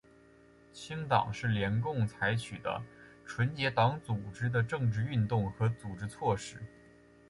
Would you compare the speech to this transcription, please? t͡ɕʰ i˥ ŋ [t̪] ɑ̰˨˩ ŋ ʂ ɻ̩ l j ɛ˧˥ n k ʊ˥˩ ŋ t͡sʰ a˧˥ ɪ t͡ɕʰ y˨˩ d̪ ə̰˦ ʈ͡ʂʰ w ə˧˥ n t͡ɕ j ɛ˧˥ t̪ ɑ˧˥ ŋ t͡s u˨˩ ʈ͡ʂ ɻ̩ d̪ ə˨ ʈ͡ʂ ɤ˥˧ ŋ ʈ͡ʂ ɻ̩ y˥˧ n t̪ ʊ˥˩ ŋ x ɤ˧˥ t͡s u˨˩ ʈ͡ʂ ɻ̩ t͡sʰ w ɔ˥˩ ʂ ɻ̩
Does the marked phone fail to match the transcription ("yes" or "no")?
no